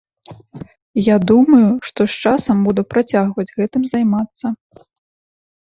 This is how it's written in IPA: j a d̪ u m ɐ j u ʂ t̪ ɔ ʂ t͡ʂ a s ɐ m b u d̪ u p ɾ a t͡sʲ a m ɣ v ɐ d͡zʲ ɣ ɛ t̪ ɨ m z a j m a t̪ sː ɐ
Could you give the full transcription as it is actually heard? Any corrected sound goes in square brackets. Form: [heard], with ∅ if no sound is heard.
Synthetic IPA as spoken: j a d̪ u m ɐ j u ʂ t̪ ɔ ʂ t͡ʂ a s ɐ m b u d̪ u p ɾ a t͡sʲ a [∅] ɣ v ɐ d͡zʲ ɣ ɛ t̪ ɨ m z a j m a t̪ sː ɐ